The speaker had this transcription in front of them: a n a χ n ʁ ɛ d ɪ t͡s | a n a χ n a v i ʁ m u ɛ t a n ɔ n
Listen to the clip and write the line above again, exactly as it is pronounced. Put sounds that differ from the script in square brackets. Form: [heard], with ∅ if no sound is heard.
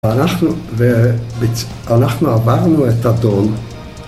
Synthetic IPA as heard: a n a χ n [v] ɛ [b] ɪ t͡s | a n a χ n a v [a] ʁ [n] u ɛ t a [d] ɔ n